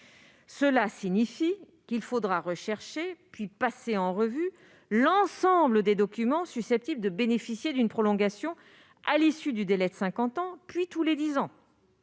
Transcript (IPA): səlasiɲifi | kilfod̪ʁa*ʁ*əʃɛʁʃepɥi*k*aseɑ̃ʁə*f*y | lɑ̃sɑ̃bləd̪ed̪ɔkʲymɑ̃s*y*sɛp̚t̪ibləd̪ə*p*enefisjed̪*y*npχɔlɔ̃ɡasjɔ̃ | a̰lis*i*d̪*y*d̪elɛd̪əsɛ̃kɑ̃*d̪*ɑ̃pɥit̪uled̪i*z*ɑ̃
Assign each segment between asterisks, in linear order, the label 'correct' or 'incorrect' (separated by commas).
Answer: correct, incorrect, incorrect, correct, incorrect, correct, incorrect, correct, incorrect, correct